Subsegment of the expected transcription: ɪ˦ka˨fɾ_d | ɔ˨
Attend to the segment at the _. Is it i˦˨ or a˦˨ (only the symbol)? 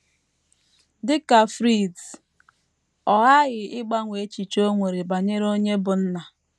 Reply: i˦˨